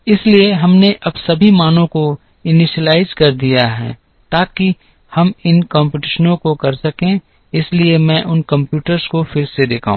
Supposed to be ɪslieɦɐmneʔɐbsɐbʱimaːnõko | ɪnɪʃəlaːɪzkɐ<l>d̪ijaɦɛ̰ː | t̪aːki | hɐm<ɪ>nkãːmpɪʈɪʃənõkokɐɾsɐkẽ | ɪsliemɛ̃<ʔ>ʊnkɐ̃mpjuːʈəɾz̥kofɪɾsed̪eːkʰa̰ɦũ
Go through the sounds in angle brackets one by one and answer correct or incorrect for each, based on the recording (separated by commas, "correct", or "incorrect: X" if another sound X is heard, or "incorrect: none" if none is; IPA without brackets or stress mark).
incorrect: ɾ, correct, correct